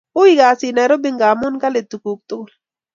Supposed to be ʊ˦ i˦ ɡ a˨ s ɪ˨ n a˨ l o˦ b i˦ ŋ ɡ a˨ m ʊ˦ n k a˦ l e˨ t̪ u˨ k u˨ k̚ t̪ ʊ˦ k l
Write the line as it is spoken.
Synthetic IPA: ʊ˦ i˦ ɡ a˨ s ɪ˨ n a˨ ɾ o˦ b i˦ ŋ ɡ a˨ m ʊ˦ n k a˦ l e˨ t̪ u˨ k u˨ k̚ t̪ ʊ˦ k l